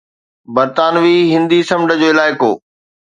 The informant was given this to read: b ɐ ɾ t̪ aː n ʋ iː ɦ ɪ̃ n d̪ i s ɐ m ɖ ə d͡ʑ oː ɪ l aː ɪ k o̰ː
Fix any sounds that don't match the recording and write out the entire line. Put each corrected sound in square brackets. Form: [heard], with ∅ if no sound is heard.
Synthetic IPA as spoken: b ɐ ɾ t̪ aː n ʋ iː ɦ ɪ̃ n d̪ i s ɐ m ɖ ə d͡ʑ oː ɪ l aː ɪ k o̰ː